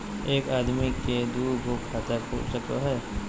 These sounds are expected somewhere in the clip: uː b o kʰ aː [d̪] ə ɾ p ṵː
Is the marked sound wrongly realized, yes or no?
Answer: yes